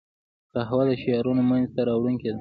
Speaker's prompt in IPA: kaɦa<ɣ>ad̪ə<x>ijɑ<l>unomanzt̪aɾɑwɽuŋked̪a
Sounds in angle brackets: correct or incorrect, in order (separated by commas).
incorrect, incorrect, incorrect